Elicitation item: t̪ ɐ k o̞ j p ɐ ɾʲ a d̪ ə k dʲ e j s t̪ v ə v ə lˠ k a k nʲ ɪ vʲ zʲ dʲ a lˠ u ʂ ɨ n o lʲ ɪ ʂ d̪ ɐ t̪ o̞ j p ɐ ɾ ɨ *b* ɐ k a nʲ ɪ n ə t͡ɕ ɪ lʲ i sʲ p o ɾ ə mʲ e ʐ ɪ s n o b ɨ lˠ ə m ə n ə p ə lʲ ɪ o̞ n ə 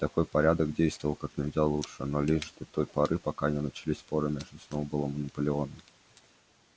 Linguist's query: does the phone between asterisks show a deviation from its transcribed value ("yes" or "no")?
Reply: yes